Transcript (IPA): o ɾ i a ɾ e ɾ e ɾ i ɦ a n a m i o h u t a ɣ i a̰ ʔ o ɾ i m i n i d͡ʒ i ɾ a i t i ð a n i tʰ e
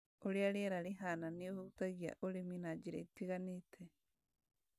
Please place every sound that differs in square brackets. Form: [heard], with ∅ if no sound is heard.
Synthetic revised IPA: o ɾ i a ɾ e ɾ [a] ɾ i ɦ a n a [n] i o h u t a ɣ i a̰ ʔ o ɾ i m i n [a] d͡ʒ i ɾ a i t i [ɣ] a n i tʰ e